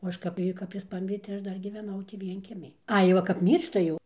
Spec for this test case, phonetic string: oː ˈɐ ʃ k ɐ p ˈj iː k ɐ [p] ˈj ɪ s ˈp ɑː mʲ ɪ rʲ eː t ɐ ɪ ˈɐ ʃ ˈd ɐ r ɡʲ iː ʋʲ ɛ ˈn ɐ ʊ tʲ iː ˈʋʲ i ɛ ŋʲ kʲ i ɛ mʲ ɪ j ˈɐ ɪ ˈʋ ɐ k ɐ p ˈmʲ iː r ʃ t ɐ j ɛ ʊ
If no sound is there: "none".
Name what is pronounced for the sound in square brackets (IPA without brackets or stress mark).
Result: p